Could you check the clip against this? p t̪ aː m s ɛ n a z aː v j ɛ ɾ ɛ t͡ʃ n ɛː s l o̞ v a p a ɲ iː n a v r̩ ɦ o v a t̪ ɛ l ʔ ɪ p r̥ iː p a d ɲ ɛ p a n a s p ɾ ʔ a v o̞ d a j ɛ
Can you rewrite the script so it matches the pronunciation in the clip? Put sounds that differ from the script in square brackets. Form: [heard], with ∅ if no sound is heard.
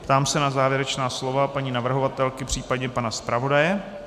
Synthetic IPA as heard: p t̪ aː m s ɛ n a z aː v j ɛ ɾ ɛ t͡ʃ n [aː] s l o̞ v a p a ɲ iː n a v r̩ ɦ o v a t̪ ɛ l [k] ɪ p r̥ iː p a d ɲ ɛ p a n a s p ɾ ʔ a v o̞ d a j ɛ